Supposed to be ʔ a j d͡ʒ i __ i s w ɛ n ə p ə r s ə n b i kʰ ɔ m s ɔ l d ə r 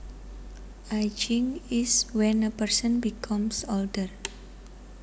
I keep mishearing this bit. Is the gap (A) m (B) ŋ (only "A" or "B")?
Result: B